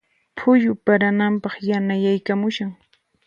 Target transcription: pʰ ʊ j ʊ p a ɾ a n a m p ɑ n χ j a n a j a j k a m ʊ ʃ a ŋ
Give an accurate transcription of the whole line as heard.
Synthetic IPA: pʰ ʊ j ʊ p a ɾ a n a m p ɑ χ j a n a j a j k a m ʊ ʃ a ŋ